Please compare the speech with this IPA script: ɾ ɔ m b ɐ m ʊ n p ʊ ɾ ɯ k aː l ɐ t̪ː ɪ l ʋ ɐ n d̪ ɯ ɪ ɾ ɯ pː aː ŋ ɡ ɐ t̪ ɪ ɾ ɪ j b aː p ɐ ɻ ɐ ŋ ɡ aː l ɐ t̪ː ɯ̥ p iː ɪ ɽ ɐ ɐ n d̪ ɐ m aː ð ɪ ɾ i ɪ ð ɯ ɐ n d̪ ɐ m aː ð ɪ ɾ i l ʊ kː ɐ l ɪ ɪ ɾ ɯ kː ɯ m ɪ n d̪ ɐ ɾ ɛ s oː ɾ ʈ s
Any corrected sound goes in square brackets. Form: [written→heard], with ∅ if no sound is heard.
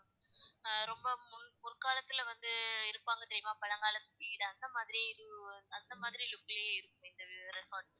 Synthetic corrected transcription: ɾ ɔ m b ɐ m ʊ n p ʊ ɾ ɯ k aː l ɐ t̪ː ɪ l ʋ ɐ n d̪ ɯ ɪ ɾ ɯ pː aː ŋ ɡ ɐ t̪ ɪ ɾ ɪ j [b→m] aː p ɐ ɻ ɐ ŋ ɡ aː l ɐ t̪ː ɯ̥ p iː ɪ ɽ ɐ ɐ n d̪ ɐ m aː ð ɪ ɾ i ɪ ð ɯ ɐ n d̪ ɐ m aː ð ɪ ɾ i l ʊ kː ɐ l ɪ ɪ ɾ ɯ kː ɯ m ɪ n d̪ ɐ ɾ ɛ s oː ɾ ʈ s

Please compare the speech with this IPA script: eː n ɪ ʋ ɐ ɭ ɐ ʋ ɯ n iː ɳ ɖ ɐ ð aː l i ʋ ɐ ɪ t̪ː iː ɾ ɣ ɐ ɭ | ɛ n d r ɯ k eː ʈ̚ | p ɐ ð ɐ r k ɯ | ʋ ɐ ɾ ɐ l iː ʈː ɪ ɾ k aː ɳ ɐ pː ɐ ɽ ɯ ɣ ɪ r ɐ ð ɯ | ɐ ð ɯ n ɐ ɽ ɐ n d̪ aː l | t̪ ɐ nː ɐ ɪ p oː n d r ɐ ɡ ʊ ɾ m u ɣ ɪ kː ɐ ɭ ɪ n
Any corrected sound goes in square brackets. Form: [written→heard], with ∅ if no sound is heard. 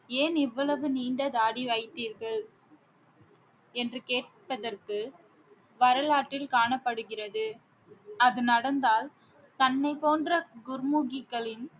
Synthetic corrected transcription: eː n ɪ [ʋ→ʋː] ɐ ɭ ɐ ʋ ɯ n iː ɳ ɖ ɐ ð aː [l→ɽ] i ʋ ɐ ɪ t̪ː iː ɾ ɣ ɐ ɭ | ɛ n d r ɯ k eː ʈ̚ | p ɐ ð ɐ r k ɯ | ʋ ɐ ɾ ɐ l [iː→aː] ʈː ɪ [ɾ→l] k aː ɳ ɐ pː ɐ ɽ ɯ ɣ ɪ r ɐ ð ɯ | ɐ ð ɯ n ɐ ɽ ɐ n d̪ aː l | t̪ ɐ nː ɐ ɪ p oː n d r ɐ ɡ ʊ ɾ m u ɣ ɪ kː ɐ ɭ ɪ n

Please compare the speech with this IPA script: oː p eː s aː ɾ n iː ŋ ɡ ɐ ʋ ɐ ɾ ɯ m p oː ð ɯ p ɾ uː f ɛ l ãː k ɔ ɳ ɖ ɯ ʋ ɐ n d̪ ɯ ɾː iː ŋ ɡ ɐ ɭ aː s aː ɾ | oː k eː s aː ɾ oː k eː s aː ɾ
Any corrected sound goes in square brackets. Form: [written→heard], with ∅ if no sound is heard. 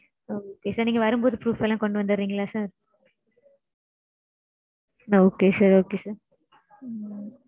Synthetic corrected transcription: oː [p→k] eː s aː ɾ n iː ŋ ɡ ɐ ʋ ɐ ɾ ɯ m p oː ð ɯ p ɾ uː f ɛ l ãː k ɔ ɳ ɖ ɯ ʋ ɐ n d̪ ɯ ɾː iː ŋ ɡ ɐ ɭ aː s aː ɾ | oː k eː s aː ɾ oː k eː s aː ɾ

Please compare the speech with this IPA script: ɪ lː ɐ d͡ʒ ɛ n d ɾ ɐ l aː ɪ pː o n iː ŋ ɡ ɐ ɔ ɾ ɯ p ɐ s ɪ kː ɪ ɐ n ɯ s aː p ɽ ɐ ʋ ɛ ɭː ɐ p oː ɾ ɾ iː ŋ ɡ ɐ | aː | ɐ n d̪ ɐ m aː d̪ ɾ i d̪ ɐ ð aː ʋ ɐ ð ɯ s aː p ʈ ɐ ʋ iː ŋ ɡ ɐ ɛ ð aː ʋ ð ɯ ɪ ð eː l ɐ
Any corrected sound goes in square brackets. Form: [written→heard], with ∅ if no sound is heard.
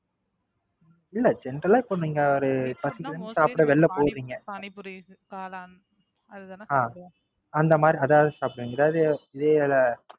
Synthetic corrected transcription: ɪ lː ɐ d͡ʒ ɛ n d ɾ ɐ l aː ɪ pː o n iː ŋ ɡ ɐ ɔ ɾ ɯ p ɐ s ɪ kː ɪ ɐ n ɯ s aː p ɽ ɐ ʋ ɛ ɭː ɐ p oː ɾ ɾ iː ŋ ɡ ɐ | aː | ɐ n d̪ ɐ m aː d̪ ɾ i [d̪→∅] ɐ ð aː ʋ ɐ ð ɯ s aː p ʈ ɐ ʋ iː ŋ ɡ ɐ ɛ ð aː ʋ ð ɯ ɪ ð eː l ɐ

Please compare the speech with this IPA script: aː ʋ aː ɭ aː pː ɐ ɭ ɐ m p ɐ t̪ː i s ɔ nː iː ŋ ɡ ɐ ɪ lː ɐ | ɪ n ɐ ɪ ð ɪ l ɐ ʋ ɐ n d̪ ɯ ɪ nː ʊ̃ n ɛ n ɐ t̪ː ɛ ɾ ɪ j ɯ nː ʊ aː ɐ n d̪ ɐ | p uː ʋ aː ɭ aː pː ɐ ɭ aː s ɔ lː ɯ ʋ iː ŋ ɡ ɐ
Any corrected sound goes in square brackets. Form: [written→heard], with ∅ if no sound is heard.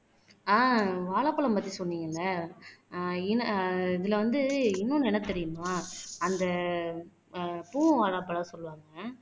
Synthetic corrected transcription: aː ʋ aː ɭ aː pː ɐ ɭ ɐ m p ɐ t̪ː i s ɔ nː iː ŋ ɡ ɐ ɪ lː ɐ | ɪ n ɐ ɪ ð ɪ l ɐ ʋ ɐ n d̪ ɯ ɪ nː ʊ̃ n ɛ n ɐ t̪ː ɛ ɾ ɪ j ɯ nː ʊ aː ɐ n d̪ ɐ | p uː ʋ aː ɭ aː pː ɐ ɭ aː s ɔ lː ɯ ʋ [iː→aː] ŋ ɡ ɐ

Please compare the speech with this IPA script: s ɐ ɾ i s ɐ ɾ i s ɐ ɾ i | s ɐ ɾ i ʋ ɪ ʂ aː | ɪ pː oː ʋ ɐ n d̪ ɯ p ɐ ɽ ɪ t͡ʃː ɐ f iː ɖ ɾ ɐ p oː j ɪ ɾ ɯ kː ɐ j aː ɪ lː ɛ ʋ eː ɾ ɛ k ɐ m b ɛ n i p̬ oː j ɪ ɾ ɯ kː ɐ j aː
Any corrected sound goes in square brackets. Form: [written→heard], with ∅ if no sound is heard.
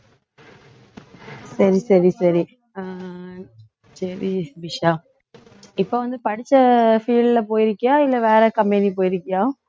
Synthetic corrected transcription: s ɐ ɾ i s ɐ ɾ i s ɐ ɾ i | s ɐ ɾ i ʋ ɪ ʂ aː | ɪ pː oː ʋ ɐ n d̪ ɯ p ɐ ɽ ɪ t͡ʃː ɐ f iː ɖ [ɾ→l] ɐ p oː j ɪ ɾ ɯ kː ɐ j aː ɪ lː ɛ ʋ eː ɾ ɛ k ɐ m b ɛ n i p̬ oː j ɪ ɾ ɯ kː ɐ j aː

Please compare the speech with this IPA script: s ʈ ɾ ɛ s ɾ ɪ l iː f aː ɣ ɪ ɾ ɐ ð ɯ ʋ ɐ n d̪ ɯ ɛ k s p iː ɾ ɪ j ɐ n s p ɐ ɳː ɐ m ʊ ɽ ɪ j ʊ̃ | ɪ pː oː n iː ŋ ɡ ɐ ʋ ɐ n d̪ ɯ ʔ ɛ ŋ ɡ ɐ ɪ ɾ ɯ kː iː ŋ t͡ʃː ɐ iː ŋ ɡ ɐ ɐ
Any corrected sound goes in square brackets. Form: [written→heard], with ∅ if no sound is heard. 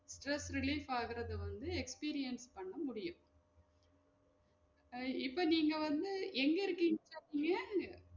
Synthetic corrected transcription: s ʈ ɾ ɛ s ɾ ɪ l iː f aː ɣ ɪ ɾ ɐ ð ɯ ʋ ɐ n d̪ ɯ ɛ k s p iː ɾ ɪ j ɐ n s p ɐ ɳː ɐ m ʊ ɽ ɪ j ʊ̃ | ɪ pː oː n iː ŋ ɡ ɐ ʋ ɐ n d̪ ɯ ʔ ɛ ŋ ɡ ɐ ɪ ɾ ɯ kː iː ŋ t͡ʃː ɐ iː ŋ ɡ ɐ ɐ

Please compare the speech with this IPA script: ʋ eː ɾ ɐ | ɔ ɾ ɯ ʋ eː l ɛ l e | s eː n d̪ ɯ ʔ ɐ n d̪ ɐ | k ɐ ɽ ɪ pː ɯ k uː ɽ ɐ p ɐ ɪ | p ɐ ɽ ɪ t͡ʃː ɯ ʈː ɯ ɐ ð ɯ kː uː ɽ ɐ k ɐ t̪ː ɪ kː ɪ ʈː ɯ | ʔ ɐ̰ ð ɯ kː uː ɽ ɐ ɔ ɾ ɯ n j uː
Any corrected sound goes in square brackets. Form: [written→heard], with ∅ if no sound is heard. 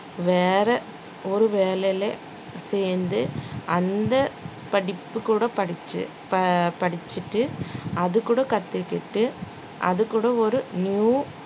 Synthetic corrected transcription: ʋ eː ɾ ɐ | ɔ ɾ ɯ ʋ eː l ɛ l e | s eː n d̪ ɯ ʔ ɐ n d̪ ɐ | [k→p] ɐ ɽ ɪ pː ɯ k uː ɽ ɐ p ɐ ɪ | p ɐ ɽ ɪ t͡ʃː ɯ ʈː ɯ ɐ ð ɯ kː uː ɽ ɐ k ɐ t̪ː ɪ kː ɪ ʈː ɯ | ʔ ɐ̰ ð ɯ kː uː ɽ ɐ ɔ ɾ ɯ n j uː

